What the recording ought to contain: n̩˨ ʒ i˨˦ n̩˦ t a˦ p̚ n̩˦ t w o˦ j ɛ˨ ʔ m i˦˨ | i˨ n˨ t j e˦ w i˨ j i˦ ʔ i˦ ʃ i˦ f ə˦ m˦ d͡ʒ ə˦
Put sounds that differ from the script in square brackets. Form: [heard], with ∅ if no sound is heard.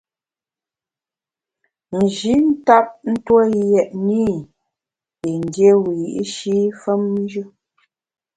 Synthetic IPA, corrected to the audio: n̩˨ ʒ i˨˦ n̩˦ t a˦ p̚ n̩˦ t w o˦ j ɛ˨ ʔ [n] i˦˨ | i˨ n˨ [d] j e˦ w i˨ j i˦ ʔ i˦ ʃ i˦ f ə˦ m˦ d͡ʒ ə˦